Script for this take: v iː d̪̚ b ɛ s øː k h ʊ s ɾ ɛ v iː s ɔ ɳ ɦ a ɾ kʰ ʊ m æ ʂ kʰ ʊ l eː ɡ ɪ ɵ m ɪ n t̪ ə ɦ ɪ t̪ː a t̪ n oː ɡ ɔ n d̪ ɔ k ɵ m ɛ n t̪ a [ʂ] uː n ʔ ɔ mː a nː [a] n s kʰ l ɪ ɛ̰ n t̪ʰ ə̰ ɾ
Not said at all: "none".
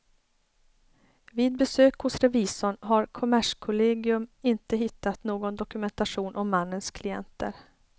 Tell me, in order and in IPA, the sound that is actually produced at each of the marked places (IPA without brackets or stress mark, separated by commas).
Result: ʂ, ə